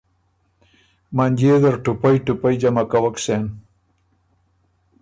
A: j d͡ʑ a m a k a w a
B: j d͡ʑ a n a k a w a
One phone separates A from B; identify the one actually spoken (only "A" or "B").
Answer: A